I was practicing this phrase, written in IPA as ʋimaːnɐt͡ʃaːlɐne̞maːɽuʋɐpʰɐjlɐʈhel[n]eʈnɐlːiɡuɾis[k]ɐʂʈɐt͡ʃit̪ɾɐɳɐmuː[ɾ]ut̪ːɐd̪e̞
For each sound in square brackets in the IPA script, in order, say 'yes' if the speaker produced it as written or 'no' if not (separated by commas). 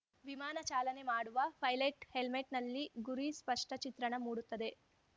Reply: no, no, no